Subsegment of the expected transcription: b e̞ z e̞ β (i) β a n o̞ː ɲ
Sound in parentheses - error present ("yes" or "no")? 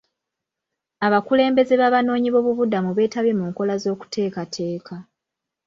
yes